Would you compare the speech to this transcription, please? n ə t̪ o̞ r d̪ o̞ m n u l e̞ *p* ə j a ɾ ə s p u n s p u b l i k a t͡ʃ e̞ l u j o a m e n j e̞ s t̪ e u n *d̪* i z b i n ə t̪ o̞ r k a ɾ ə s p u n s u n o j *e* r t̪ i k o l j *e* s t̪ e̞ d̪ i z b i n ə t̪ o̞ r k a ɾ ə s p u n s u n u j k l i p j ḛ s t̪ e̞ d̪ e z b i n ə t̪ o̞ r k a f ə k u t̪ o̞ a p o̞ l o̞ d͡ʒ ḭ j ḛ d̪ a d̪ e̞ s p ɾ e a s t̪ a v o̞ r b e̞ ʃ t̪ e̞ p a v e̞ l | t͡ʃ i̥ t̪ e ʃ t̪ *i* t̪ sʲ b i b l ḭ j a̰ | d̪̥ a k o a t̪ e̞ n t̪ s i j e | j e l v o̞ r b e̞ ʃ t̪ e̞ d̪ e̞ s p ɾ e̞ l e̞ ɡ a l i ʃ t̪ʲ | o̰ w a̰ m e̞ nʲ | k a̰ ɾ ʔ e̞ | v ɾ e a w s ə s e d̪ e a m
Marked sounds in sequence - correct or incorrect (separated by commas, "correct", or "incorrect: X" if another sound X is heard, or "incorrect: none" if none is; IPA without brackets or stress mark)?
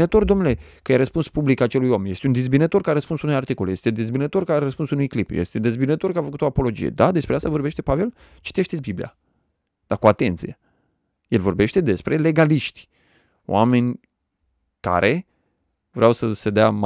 incorrect: k, correct, incorrect: a, correct, incorrect: e